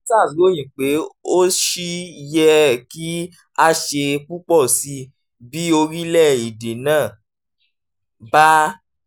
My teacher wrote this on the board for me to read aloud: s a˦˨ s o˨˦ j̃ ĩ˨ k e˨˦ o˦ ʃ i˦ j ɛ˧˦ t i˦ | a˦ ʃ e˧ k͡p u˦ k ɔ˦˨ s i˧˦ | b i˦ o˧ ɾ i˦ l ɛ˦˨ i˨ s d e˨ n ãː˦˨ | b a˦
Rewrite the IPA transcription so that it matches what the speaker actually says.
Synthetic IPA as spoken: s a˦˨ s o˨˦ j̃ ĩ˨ k͡p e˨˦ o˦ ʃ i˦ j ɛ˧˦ k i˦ | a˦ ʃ e˧ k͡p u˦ k͡p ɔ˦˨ s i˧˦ | b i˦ o˧ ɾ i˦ l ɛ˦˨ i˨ d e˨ n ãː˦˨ | b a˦